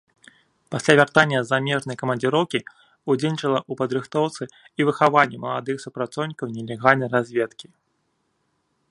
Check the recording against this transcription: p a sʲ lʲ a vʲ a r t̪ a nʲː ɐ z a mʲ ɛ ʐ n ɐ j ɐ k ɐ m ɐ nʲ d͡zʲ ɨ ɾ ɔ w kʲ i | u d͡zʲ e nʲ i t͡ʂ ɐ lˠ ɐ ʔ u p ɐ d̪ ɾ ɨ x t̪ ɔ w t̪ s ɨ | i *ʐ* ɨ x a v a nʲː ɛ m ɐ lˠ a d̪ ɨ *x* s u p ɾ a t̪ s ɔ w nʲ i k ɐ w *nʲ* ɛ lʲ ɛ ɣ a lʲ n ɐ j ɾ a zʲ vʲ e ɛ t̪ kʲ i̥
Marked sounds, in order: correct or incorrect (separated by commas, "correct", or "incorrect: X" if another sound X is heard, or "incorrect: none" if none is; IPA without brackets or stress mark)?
incorrect: v, correct, correct